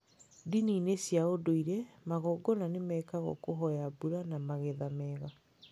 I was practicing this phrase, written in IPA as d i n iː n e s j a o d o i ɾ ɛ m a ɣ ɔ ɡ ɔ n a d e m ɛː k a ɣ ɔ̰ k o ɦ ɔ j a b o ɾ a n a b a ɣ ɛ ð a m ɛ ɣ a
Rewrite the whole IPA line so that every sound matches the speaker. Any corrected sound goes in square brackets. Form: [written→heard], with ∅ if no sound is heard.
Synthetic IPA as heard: d i n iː n e s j a o d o i ɾ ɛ m a ɣ ɔ ɡ ɔ n a [d→n] e m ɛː k a ɣ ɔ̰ k o ɦ ɔ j a b [o→u] ɾ a n a [b→m] a ɣ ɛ ð a m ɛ ɣ a